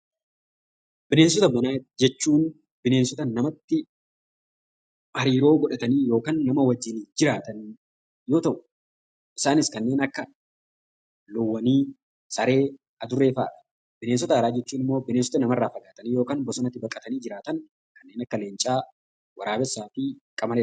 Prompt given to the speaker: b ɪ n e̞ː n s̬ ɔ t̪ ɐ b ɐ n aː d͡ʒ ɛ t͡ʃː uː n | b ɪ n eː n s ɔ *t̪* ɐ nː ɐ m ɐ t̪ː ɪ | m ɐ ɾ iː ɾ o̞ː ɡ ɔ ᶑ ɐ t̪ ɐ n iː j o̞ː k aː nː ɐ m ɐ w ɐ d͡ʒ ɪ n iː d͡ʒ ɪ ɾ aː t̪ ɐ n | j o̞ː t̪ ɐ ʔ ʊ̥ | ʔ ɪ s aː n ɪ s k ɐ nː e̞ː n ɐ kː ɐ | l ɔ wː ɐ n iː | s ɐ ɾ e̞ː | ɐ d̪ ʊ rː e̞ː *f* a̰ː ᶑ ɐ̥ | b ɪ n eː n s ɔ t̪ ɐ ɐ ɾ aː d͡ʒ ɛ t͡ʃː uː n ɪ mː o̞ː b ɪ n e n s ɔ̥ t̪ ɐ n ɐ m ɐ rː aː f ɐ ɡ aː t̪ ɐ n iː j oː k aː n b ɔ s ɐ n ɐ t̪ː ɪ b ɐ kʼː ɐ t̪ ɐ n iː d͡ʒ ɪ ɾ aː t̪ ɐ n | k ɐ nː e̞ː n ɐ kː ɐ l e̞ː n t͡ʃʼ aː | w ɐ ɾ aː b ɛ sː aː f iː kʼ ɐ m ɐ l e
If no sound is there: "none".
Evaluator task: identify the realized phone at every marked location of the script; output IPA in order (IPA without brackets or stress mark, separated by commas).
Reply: t̪, f